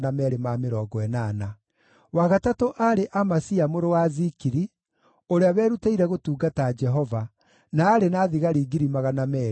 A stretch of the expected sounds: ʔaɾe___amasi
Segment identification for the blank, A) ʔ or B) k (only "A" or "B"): A